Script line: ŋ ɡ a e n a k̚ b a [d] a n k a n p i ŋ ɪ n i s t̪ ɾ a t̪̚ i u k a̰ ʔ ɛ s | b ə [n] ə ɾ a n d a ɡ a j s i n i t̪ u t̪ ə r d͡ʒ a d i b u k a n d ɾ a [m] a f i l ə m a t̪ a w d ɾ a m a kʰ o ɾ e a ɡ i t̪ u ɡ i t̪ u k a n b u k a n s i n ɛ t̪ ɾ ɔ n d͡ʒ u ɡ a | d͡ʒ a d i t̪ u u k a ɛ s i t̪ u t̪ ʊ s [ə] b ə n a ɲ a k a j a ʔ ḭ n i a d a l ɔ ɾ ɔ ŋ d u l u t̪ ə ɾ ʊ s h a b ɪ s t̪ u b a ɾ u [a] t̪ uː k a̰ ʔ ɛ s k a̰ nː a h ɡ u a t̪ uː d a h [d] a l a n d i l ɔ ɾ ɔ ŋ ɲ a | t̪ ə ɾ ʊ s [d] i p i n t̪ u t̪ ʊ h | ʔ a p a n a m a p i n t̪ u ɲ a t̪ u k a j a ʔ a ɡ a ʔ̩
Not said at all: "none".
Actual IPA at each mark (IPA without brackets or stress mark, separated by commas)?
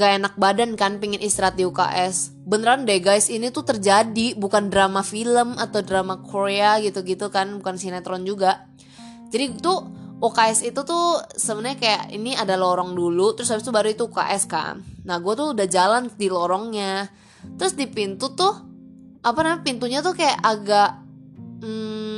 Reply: d, n, m, ə, i, d͡ʒ, d